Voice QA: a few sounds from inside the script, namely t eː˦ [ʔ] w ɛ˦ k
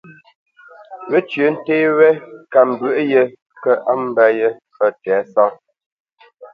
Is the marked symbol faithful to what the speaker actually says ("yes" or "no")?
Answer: no